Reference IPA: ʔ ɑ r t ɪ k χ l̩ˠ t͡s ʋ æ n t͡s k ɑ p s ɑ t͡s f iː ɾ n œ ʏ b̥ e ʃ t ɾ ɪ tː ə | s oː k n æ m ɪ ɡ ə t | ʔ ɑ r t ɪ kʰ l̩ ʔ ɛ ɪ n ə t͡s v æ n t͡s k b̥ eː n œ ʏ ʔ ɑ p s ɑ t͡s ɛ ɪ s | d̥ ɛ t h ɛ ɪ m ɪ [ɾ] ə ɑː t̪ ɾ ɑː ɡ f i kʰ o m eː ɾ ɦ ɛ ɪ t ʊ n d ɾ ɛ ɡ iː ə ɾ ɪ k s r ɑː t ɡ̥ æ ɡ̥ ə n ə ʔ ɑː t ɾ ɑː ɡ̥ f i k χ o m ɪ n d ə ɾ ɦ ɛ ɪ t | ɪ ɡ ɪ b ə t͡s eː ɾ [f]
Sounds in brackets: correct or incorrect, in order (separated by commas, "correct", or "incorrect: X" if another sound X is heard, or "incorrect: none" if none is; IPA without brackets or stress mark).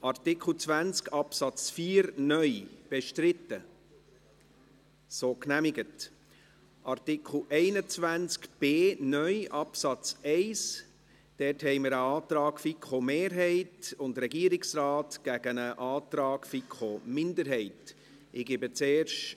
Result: correct, incorrect: ʃ